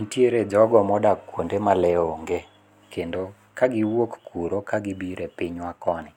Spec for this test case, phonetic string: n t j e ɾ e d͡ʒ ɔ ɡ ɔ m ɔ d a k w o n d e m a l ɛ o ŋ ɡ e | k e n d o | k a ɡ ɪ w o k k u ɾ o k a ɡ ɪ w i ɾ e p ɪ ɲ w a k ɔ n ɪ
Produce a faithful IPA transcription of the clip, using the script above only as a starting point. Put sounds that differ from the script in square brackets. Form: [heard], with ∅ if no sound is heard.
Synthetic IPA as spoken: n t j e ɾ e d͡ʒ ɔ ɡ ɔ m ɔ d a k w o n d e m a l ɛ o ŋ ɡ e | k e n d o | k a ɡ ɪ w o k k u ɾ o k a ɡ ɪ [b] i ɾ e p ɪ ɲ w a k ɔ n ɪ